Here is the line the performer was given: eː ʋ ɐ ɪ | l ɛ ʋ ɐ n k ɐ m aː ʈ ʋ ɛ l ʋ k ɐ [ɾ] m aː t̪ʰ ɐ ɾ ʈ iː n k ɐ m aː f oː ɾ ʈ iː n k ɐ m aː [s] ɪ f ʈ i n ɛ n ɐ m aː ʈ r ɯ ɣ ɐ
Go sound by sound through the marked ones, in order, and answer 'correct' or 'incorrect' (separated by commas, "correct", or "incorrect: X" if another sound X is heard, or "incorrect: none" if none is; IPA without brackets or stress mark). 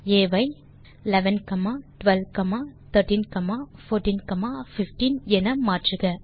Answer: incorrect: none, incorrect: f